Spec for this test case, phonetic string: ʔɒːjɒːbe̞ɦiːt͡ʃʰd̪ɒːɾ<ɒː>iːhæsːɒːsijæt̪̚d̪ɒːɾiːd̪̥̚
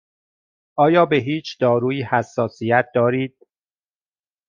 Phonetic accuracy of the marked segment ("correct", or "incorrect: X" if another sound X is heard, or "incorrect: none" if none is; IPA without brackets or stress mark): incorrect: uː